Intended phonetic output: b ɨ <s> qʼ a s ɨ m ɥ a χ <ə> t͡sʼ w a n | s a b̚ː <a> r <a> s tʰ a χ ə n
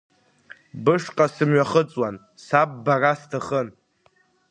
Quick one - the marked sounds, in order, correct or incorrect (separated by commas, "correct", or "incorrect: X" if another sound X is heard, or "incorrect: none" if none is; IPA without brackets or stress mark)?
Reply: incorrect: ʂ, correct, correct, correct